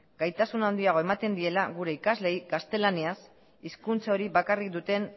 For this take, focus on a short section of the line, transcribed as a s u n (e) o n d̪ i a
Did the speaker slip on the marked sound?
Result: yes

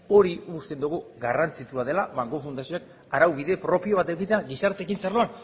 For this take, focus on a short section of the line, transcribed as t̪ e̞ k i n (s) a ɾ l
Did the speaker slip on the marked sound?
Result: no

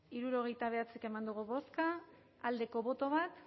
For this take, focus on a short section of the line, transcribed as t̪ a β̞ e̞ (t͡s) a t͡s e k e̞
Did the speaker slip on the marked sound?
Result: yes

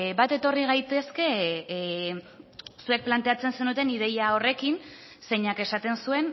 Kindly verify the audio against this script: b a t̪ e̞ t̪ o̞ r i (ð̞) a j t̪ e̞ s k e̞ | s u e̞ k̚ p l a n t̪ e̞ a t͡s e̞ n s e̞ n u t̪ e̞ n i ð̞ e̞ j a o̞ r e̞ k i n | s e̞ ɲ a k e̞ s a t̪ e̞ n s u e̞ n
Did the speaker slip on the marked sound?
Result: yes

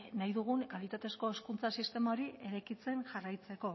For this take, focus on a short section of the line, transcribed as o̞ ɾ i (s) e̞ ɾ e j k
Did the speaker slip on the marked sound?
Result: yes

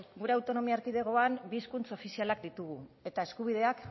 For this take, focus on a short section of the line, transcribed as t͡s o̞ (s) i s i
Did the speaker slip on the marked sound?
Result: yes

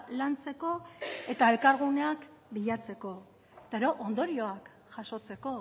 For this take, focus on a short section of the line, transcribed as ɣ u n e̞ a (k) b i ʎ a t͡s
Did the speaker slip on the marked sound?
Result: no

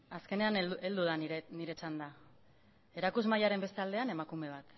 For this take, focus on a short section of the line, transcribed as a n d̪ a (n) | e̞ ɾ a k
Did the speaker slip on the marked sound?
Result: yes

